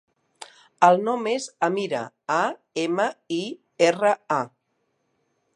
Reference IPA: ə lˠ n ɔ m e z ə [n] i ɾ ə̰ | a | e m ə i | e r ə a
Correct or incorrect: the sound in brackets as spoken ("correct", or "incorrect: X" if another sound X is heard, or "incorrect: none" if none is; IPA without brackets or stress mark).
incorrect: m